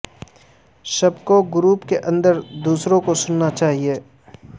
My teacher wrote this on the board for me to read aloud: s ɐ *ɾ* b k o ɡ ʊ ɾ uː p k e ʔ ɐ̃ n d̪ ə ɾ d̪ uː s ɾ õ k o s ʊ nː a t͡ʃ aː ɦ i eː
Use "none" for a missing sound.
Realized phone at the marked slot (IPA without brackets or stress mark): none